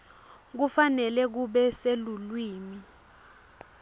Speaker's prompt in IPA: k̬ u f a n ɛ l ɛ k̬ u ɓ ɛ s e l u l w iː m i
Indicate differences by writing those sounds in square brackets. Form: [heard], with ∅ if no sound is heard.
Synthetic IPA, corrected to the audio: k̬ u f a n ɛ l ɛ k̬ u ɓ ɛ s e l u l w iː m i